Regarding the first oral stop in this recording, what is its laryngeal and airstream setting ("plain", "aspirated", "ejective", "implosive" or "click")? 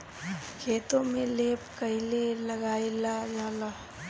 aspirated